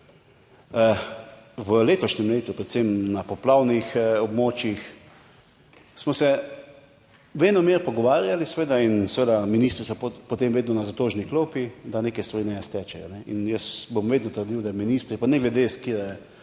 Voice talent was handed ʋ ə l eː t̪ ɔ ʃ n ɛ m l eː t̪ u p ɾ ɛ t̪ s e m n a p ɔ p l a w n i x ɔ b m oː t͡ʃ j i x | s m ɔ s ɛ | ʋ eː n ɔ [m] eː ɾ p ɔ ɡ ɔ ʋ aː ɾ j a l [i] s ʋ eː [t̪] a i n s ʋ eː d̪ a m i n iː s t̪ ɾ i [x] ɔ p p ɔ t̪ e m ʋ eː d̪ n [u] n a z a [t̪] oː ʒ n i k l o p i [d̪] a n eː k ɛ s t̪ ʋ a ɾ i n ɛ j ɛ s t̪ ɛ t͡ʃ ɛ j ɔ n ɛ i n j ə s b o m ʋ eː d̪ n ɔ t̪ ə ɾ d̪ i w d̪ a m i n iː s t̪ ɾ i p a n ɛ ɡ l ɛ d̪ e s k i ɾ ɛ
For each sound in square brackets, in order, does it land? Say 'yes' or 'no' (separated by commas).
yes, yes, no, no, no, yes, yes